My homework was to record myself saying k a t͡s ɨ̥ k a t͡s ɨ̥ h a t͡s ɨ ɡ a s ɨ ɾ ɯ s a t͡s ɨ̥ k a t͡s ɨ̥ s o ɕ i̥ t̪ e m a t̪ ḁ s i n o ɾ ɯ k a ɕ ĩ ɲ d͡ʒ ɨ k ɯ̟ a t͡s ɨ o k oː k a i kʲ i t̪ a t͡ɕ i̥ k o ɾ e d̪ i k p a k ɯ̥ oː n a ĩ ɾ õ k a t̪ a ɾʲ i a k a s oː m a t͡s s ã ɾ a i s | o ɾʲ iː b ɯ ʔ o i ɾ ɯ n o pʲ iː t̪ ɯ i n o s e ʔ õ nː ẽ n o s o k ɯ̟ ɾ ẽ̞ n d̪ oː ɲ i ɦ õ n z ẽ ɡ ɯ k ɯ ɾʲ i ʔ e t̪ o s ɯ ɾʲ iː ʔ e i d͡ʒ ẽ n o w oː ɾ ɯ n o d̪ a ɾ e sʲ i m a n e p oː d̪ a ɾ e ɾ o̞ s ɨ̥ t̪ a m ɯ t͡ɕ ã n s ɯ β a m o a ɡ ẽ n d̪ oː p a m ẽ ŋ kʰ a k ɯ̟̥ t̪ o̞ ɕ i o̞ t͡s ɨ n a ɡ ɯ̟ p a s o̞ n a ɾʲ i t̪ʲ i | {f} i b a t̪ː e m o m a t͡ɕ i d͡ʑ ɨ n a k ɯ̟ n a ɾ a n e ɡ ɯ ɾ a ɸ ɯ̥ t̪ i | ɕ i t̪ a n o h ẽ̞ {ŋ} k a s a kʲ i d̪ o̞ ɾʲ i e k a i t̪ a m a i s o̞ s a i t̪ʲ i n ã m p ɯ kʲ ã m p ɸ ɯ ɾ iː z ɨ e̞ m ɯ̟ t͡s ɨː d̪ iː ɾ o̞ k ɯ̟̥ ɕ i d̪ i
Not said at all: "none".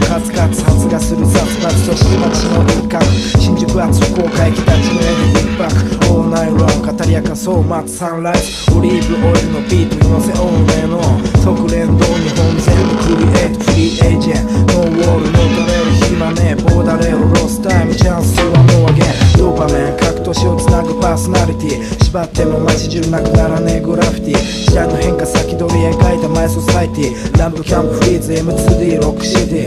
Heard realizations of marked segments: ɕ, ŋ

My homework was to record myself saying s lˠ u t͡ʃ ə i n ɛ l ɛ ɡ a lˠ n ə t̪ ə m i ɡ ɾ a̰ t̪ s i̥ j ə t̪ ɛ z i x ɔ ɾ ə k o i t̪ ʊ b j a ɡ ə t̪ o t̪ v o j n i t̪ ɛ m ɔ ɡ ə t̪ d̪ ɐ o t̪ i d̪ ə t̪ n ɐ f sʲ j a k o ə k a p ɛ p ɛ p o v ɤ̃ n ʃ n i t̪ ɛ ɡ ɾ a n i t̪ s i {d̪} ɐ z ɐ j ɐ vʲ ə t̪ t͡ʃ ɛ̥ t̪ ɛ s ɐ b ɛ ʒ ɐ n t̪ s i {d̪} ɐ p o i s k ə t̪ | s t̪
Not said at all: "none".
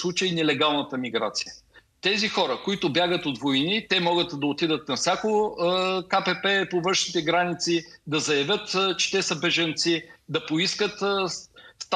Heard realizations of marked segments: d̪, d̪

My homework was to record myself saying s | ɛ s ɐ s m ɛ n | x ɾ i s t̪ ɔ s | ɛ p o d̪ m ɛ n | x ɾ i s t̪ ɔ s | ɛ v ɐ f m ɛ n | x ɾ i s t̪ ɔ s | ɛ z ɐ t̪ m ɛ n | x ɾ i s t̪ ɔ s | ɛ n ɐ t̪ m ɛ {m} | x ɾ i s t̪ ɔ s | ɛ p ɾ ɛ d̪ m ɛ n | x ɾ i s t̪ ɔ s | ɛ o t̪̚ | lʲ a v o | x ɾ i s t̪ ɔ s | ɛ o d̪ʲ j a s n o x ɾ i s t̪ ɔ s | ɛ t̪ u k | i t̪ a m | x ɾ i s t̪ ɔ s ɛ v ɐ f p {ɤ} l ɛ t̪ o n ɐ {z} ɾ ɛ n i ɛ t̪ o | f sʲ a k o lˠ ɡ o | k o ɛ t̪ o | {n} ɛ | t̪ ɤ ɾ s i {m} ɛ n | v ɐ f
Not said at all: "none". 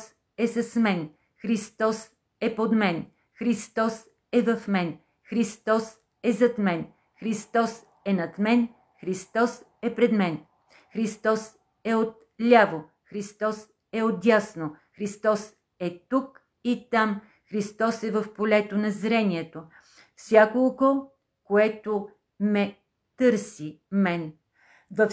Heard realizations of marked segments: n, o, z, m, m

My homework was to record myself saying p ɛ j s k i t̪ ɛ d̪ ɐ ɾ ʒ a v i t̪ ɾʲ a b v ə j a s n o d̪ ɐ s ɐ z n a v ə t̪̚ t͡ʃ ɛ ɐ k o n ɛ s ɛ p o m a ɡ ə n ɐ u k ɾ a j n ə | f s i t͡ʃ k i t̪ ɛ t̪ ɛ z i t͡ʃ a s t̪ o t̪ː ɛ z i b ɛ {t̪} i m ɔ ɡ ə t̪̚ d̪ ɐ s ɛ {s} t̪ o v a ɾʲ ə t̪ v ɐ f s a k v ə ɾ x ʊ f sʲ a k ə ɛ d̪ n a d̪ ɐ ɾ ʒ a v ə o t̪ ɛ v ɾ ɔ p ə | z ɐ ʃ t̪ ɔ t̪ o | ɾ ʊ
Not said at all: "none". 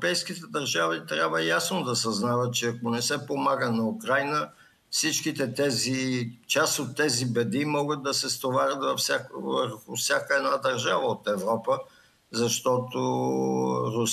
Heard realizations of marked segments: d̪, s

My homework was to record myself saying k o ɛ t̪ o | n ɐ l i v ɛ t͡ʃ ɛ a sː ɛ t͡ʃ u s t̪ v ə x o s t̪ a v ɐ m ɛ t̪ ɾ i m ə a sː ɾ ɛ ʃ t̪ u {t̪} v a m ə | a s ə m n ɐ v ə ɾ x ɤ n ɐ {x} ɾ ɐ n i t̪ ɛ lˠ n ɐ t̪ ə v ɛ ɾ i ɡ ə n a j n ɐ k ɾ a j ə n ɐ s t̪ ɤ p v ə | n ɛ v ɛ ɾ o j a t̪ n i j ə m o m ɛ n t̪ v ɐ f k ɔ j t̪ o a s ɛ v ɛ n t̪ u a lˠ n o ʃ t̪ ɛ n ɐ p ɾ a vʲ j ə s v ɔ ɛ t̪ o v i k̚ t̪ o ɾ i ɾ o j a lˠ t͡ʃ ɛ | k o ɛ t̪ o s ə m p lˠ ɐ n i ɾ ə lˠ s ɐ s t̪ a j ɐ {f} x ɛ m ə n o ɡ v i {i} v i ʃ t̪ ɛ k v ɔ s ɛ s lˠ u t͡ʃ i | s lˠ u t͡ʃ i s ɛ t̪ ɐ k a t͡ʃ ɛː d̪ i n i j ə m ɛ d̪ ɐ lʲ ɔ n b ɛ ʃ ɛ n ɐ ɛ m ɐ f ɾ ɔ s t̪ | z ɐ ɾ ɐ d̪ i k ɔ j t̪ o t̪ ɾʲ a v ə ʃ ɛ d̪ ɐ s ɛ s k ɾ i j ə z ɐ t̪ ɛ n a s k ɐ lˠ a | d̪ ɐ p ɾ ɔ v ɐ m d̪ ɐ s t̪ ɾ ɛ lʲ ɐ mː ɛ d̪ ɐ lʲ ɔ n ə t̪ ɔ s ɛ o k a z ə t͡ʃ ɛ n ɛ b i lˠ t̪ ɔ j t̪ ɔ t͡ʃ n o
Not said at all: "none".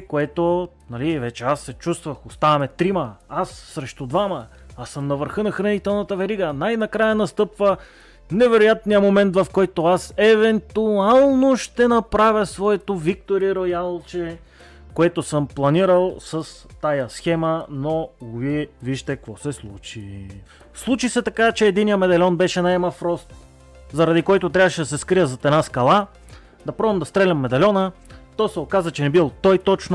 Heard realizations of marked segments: d̪, x, s, ɛ

